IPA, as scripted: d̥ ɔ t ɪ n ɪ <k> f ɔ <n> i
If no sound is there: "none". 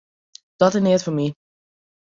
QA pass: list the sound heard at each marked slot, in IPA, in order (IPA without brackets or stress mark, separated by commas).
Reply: t, m